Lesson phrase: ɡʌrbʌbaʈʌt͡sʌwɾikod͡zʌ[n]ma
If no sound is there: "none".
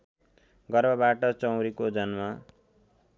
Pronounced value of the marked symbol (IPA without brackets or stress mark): n